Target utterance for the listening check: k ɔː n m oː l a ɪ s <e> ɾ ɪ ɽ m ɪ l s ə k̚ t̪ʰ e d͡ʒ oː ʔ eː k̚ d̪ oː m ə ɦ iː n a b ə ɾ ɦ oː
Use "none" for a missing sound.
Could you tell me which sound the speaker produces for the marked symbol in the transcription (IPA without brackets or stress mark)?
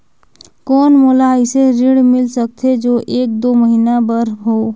e